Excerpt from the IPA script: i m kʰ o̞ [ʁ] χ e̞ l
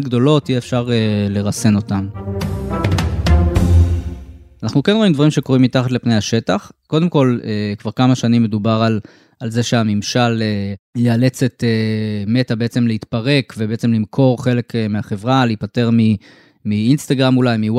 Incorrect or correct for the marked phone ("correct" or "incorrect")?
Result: correct